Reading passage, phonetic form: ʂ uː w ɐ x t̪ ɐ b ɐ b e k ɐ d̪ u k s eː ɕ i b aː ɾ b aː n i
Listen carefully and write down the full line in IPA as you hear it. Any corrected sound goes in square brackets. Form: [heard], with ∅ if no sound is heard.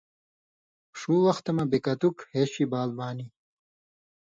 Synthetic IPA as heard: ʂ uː w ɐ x t̪ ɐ [m] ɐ b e k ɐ [t̪] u k [h] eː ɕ i b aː [l] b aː n i